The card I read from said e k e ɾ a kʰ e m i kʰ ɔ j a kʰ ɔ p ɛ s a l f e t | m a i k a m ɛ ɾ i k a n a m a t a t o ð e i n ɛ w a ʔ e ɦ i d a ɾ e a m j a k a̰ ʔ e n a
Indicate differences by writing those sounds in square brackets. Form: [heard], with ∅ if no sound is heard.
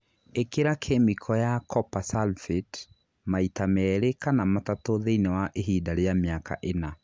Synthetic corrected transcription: e k e ɾ a kʰ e m i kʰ ɔ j a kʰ ɔ p [a] s a l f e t | m a i [t] a m ɛ ɾ [e] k a n a m a t a t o ð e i n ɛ w a ʔ e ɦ i d a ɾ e a m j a k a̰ ʔ e n a